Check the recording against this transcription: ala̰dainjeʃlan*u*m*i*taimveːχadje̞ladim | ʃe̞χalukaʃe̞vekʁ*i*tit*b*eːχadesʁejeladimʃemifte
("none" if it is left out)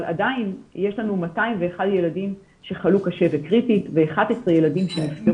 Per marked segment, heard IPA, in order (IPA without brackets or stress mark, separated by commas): u, a, i, v